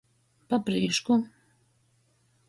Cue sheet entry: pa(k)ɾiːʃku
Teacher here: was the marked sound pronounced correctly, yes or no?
no